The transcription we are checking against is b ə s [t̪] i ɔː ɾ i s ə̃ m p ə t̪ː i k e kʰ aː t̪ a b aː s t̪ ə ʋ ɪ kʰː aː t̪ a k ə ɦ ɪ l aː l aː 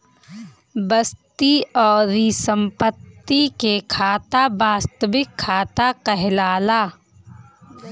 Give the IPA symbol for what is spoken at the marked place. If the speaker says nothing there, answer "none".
t̪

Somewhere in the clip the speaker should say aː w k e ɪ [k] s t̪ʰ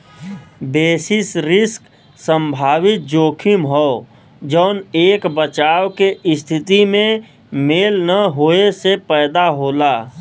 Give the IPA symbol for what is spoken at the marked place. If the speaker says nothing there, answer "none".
none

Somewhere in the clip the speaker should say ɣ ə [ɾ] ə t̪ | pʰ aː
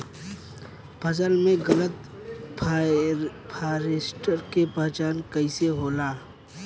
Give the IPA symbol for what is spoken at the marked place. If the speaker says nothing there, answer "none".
l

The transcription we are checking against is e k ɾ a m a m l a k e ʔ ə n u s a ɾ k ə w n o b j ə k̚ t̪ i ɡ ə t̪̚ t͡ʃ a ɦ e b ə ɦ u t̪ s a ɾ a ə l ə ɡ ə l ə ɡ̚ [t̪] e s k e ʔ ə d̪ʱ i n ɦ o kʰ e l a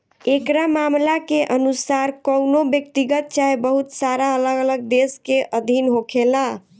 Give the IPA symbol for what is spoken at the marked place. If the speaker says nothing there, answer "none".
d̪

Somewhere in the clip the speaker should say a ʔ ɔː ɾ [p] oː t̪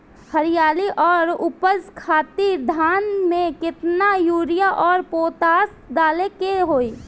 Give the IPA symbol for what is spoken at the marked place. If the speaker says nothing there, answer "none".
p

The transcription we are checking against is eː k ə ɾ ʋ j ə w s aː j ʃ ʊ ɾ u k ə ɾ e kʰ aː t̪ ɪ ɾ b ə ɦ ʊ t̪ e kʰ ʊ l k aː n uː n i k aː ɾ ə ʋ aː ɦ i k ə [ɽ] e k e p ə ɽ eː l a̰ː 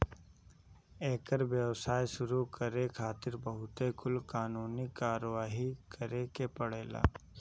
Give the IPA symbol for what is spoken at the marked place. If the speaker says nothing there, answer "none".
ɾ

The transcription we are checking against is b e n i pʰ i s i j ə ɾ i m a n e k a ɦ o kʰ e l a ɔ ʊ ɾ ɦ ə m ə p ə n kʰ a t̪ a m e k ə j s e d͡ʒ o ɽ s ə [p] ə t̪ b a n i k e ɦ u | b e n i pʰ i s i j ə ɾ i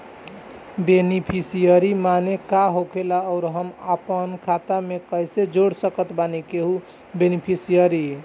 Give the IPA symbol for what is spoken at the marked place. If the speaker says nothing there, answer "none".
k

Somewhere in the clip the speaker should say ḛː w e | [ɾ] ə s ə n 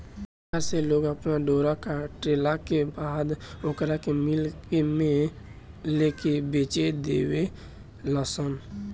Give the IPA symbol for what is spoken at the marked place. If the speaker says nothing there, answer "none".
l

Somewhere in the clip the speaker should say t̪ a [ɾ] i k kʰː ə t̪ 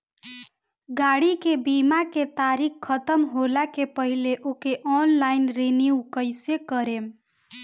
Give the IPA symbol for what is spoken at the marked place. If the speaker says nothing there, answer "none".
ɾ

